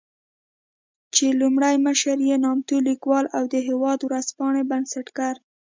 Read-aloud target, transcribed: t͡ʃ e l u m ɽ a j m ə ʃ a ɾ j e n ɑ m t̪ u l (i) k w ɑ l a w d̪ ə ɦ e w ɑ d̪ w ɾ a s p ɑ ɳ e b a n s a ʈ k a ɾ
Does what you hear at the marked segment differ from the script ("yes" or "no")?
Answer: no